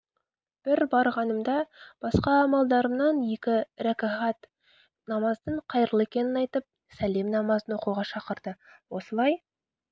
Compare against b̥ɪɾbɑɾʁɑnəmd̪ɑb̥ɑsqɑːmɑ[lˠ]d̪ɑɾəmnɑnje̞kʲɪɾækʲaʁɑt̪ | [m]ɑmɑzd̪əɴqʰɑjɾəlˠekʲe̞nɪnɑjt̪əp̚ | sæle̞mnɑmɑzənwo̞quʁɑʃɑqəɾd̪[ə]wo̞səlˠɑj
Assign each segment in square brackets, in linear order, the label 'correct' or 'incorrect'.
correct, incorrect, correct

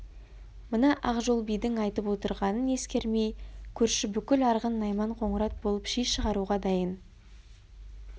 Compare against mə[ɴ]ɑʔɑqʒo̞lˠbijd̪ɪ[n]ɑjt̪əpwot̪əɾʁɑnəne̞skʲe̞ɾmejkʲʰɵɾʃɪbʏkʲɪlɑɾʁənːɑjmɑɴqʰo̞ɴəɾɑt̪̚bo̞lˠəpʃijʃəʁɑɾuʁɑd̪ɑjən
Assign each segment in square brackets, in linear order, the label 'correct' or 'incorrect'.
incorrect, incorrect

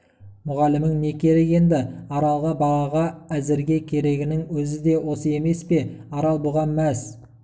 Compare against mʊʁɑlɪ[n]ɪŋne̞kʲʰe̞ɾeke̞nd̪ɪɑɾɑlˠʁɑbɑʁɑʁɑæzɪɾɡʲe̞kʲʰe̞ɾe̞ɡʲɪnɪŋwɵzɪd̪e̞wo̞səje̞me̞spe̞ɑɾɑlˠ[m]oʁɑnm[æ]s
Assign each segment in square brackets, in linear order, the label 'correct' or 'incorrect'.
incorrect, incorrect, correct

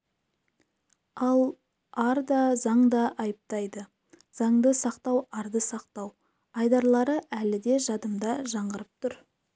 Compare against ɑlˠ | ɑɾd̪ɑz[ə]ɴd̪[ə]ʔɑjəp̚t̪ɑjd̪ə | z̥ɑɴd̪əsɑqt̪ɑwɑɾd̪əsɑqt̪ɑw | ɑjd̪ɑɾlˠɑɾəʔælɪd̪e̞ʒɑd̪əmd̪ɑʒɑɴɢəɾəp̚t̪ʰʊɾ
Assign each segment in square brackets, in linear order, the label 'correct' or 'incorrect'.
incorrect, incorrect

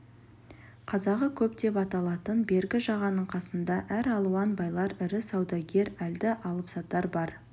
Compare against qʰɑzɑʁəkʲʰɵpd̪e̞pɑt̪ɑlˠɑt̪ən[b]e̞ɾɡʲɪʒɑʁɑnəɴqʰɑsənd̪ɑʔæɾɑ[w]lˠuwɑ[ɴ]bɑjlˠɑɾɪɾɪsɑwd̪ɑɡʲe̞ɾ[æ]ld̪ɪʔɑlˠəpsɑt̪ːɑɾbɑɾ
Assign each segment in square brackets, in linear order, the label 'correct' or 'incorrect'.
correct, incorrect, incorrect, correct

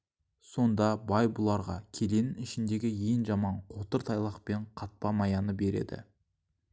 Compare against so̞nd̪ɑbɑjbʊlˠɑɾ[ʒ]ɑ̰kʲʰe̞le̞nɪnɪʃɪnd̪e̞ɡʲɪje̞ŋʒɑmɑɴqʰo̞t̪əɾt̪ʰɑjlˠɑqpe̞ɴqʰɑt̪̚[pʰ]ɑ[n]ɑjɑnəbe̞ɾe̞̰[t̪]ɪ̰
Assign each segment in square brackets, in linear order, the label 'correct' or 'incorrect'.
incorrect, incorrect, incorrect, incorrect

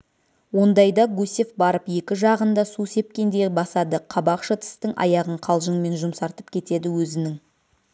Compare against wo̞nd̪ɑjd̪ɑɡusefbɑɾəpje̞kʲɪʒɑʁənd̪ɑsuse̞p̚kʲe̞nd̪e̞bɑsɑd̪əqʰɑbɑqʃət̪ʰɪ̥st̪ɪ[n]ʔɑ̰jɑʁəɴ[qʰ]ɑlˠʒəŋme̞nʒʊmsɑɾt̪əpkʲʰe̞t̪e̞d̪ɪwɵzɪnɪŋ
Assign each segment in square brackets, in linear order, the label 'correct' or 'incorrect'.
incorrect, correct

